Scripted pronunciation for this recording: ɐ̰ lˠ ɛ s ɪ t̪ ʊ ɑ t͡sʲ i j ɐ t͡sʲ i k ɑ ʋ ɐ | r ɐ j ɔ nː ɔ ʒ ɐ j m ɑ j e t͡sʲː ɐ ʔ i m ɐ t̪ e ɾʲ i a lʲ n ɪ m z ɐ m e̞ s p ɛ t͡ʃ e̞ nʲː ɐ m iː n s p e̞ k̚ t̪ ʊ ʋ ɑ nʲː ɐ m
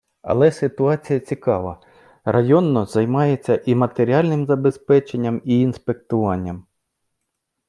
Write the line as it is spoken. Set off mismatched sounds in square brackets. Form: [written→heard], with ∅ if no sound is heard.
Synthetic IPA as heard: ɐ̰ lˠ ɛ s ɪ t̪ ʊ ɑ t͡sʲ i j ɐ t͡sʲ i k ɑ ʋ ɐ | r ɐ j ɔ nː ɔ [ʒ→z] ɐ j m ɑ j e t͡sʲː ɐ ʔ i m ɐ t̪ e ɾʲ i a lʲ n ɪ m z ɐ [m→b] e̞ s p ɛ t͡ʃ e̞ nʲː ɐ m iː n s p e̞ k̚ t̪ ʊ ʋ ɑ nʲː ɐ m